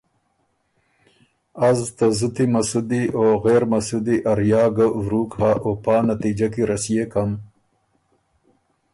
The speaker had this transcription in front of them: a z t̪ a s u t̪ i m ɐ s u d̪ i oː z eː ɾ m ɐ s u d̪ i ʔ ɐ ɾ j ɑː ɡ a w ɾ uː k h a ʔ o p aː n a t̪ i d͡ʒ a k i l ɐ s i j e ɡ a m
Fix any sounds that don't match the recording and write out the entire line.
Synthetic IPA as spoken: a z t̪ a z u t̪ i m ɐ s u d̪ i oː ɣ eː ɾ m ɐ s u d̪ i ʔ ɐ ɾ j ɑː ɡ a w ɾ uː k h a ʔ o p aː n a t̪ i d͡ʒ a k i ɾ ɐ s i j e k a m